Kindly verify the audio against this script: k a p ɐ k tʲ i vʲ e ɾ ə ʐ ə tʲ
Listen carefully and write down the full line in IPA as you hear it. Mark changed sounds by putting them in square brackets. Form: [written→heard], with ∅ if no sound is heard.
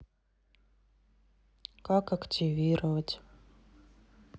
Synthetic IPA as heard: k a [p→k] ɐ k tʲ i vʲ [e→i] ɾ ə [ʐ→v] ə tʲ